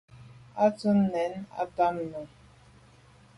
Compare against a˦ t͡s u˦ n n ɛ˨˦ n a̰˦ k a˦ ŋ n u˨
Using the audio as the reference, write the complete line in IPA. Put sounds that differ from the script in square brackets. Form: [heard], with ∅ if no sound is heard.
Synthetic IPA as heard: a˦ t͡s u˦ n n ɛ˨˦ n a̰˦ [t] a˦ [m] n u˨